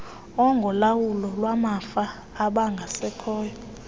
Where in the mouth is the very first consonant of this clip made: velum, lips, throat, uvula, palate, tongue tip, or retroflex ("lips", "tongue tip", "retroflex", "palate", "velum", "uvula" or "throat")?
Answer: velum